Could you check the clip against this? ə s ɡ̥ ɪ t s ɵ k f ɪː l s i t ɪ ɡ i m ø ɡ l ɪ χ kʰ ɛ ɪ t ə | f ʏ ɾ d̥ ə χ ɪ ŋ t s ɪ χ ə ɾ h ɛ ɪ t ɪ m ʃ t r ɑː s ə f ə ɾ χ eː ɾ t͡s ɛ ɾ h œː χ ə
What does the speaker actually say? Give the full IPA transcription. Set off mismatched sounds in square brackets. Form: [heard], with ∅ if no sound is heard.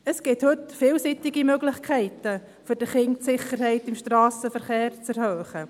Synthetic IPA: ə s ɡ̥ ɪ t [h] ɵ [t] f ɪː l s i t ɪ ɡ i m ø ɡ l ɪ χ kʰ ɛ ɪ t ə | f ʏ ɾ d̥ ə χ ɪ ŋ t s ɪ χ ə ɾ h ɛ ɪ t ɪ m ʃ t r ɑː s ə f ə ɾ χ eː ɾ t͡s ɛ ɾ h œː χ ə